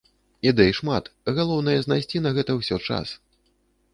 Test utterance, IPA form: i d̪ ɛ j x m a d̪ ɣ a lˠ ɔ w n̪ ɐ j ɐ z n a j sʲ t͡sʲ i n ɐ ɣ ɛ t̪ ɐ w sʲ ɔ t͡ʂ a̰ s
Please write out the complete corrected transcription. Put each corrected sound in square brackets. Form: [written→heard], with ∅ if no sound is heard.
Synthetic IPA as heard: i d̪ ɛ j [x→ʂ] m a [d̪→t̪] ɣ a lˠ ɔ w n̪ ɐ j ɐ z n a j sʲ t͡sʲ i n ɐ ɣ ɛ t̪ ɐ w sʲ ɔ t͡ʂ a̰ s